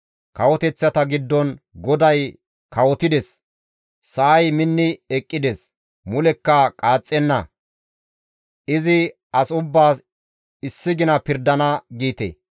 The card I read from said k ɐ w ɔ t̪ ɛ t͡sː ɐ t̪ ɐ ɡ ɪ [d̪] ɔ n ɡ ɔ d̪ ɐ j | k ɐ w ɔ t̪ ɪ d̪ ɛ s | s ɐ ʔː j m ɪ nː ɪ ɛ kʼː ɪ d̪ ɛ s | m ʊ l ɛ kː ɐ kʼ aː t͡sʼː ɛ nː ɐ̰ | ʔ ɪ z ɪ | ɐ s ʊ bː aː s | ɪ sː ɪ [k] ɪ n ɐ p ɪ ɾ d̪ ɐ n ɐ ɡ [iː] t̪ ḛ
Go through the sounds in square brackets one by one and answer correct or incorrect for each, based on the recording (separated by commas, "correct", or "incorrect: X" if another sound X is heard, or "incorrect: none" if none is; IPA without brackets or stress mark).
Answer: incorrect: d̪ː, incorrect: ɡ, correct